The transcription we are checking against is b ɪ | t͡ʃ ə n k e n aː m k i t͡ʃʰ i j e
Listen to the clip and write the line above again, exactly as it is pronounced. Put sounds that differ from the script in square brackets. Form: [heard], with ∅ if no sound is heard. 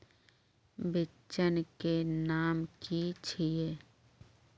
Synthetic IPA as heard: b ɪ | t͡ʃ ə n k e n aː m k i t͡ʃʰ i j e